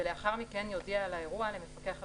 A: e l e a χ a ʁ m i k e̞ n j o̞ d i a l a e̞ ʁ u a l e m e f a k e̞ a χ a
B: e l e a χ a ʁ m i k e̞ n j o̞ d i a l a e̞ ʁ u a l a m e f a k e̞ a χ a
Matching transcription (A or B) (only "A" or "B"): A